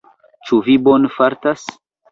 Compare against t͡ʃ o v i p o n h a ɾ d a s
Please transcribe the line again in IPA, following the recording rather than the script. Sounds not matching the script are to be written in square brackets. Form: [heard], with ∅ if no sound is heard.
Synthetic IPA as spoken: t͡ʃ [u] v i [b] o n [f] a ɾ [t] a s